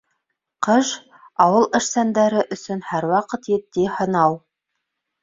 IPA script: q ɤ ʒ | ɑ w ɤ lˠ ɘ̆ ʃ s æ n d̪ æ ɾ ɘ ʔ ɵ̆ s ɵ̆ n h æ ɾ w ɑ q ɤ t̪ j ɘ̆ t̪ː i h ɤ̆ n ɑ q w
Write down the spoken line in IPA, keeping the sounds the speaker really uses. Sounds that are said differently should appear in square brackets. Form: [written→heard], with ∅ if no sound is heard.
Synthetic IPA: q ɤ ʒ | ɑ w ɤ lˠ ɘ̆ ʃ s æ n d̪ æ ɾ ɘ ʔ ɵ̆ s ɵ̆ n h æ ɾ w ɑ q ɤ t̪ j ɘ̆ t̪ː i h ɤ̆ n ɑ [q→∅] w